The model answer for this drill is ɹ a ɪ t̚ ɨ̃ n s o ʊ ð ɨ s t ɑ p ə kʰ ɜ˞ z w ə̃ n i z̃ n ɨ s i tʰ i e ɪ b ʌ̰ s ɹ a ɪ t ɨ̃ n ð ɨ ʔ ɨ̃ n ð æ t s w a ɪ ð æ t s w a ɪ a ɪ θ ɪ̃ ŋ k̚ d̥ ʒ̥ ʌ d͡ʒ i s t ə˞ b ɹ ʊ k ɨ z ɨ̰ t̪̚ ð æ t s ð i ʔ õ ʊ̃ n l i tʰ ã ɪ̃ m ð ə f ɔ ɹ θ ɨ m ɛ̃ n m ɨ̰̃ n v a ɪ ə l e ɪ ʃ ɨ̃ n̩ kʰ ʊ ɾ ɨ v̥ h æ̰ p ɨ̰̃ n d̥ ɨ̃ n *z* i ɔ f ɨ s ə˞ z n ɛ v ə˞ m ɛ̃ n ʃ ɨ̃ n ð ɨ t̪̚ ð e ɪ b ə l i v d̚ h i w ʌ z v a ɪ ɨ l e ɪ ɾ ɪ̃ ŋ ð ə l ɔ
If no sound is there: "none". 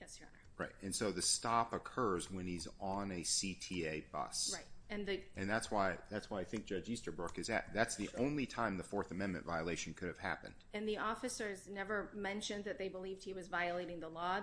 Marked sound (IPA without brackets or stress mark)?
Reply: ð